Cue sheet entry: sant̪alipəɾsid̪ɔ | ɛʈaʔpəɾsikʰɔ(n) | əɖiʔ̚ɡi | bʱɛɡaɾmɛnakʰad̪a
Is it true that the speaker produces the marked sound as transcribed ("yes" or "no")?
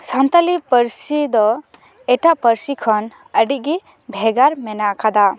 yes